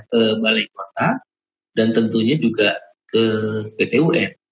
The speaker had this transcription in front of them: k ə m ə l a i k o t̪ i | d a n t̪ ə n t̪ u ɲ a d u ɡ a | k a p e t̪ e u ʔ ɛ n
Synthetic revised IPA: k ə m a l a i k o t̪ a | d a n t̪ ə n t̪ u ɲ a d͡ʒ u ɡ a | k ə p e t̪ e u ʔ ɛ n